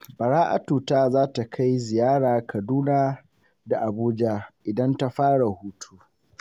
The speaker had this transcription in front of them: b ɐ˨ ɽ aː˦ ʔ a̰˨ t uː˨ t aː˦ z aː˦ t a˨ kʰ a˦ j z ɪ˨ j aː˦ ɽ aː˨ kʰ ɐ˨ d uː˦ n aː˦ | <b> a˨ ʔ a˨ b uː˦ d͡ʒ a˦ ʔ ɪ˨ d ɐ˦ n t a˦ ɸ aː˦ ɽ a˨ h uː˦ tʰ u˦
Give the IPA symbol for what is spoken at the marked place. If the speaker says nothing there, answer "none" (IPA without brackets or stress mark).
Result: d